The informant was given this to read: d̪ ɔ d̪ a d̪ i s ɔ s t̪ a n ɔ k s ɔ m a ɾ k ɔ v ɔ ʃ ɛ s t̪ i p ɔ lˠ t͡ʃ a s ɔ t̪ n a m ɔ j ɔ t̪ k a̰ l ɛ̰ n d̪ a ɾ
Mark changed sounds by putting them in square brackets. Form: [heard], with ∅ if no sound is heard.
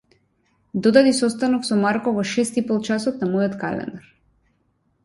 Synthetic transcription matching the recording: d̪ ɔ d̪ a d̪ i s ɔ s t̪ a n ɔ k s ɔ m a ɾ k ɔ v ɔ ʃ ɛ s t̪ i p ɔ lˠ t͡ʃ a s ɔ t̪ n a m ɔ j ɔ t̪ k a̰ l ɛ̰ n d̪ a ɾ

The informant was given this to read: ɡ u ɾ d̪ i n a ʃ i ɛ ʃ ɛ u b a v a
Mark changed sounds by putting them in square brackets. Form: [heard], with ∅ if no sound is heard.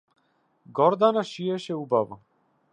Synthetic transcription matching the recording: ɡ [ɔ] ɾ d̪ [a] n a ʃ i ɛ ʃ ɛ u b a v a

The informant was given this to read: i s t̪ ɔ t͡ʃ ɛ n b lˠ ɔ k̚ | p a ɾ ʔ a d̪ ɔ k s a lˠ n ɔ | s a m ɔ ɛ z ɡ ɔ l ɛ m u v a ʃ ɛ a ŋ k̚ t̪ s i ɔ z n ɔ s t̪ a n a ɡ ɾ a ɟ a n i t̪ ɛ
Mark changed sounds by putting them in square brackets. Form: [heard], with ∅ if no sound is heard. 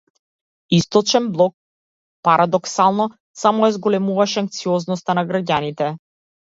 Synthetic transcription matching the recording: i s t̪ ɔ t͡ʃ ɛ n b lˠ ɔ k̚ | p a ɾ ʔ a d̪ ɔ k s a lˠ n ɔ | s a m ɔ ɛ z ɡ ɔ l ɛ m u v a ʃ ɛ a ŋ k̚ t̪ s i ɔ z n ɔ s t̪ a n a ɡ ɾ a ɟ a n i t̪ ɛ

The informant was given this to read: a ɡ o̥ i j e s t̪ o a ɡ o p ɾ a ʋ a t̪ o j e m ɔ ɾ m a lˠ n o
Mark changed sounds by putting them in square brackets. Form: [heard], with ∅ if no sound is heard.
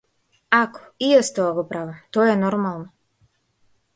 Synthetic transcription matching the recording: a [k] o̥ i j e s t̪ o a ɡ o p ɾ a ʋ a t̪ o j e [n] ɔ ɾ m a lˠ n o

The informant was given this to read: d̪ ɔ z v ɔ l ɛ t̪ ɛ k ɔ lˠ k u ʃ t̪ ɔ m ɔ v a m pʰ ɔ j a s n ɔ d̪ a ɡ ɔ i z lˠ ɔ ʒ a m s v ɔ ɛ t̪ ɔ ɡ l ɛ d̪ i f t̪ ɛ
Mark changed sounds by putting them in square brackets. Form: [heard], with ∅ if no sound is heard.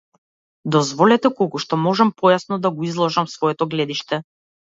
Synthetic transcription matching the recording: d̪ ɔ z v ɔ l ɛ t̪ ɛ k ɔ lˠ k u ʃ t̪ ɔ m ɔ [ʒ] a m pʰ ɔ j a s n ɔ d̪ a ɡ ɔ i z lˠ ɔ ʒ a m s v ɔ ɛ t̪ ɔ ɡ l ɛ d̪ i [ʃ] t̪ ɛ

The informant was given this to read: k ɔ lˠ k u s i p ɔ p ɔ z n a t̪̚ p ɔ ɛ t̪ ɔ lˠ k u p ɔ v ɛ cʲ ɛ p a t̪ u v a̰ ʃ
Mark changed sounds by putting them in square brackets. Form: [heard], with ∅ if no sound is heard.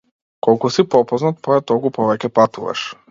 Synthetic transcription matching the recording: k ɔ lˠ k u s i p ɔ p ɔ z n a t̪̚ p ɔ ɛ t̪ ɔ lˠ k u p ɔ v ɛ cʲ ɛ p a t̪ u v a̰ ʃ

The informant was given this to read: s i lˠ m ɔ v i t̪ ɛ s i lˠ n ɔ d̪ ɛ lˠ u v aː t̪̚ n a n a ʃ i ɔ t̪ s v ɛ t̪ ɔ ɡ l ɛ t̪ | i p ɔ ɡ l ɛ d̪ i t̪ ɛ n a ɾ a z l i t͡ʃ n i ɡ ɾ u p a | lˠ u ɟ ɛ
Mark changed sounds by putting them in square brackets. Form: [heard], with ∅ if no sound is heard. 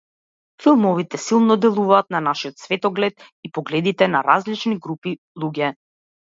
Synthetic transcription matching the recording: [f] i lˠ m ɔ v i t̪ ɛ s i lˠ n ɔ d̪ ɛ lˠ u v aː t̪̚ n a n a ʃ i ɔ t̪ s v ɛ t̪ ɔ ɡ l ɛ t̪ | i p ɔ ɡ l ɛ d̪ i t̪ ɛ n a ɾ a z l i t͡ʃ n i ɡ ɾ u p [i] | lˠ u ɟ ɛ

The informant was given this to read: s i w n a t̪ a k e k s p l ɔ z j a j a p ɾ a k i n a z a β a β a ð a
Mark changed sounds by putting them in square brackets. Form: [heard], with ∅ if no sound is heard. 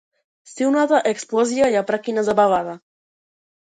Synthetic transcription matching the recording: s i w n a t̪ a [ʔ] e k s p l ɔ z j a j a p ɾ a k i n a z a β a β a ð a

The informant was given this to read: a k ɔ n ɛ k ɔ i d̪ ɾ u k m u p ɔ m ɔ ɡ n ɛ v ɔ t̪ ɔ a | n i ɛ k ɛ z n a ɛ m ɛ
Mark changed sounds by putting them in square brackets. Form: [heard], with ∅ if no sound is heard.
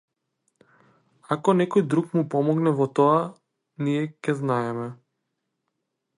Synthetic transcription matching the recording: a k ɔ n ɛ k ɔ [j] d̪ ɾ u k m u p ɔ m ɔ ɡ n ɛ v ɔ t̪ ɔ a | n i ɛ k ɛ z n a ɛ m ɛ

